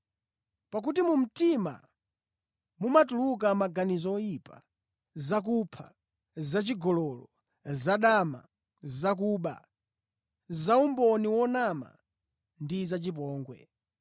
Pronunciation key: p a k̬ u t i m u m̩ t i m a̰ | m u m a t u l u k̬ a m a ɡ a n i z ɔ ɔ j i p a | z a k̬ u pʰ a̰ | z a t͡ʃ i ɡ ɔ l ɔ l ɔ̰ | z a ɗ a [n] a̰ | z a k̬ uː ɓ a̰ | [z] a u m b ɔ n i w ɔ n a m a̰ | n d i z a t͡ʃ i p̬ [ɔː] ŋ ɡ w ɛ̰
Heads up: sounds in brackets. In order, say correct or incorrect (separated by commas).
incorrect, correct, correct